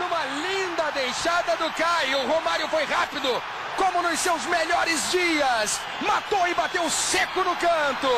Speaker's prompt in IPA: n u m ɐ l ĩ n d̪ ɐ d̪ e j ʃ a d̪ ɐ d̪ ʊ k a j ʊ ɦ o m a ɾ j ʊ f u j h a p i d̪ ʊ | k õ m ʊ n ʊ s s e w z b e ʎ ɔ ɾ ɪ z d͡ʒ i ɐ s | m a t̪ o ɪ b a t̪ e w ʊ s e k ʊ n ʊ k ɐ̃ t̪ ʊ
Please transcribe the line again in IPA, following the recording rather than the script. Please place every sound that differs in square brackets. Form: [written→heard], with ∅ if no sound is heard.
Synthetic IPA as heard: n [u→ũ] m ɐ l ĩ n d̪ ɐ d̪ e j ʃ a d̪ ɐ d̪ ʊ k a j ʊ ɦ o m a ɾ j ʊ f [u→o] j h a p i d̪ ʊ | k õ m ʊ n ʊ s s e w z [b→m] e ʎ ɔ ɾ ɪ z d͡ʒ i ɐ s | m a t̪ o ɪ b a t̪ e w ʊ s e k ʊ n ʊ k ɐ̃ t̪ ʊ